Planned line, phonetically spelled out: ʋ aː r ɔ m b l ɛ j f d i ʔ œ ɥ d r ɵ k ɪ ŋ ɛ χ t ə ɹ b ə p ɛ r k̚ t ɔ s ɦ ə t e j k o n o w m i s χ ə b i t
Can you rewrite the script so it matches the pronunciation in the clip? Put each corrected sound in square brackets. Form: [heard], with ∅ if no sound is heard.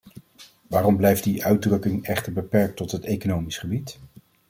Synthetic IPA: ʋ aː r ɔ m b l ɛ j f d i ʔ œ ɥ d r ɵ k ɪ ŋ ɛ χ t ə ɹ b ə p ɛ [ɹ] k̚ t ɔ [t] ɦ ə t e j k o n o w m i s χ ə b i t